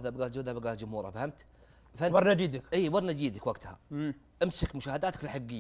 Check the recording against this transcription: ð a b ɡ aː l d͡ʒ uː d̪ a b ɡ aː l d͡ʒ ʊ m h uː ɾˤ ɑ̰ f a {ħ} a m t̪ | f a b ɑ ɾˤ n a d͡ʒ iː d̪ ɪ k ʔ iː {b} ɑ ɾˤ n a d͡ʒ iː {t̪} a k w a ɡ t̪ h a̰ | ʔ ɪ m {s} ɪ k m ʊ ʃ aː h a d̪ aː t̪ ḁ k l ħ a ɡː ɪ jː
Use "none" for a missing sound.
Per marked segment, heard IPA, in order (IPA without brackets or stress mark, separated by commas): h, b, d̪, s